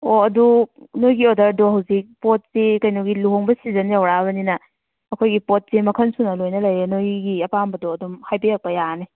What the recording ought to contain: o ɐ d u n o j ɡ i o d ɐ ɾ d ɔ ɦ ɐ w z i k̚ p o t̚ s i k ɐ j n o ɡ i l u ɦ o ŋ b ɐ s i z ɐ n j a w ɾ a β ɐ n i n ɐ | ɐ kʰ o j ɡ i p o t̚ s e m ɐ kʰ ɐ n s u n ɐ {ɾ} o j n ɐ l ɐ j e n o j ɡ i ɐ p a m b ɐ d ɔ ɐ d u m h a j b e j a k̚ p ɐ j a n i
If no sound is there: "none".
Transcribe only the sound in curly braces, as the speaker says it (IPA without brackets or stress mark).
l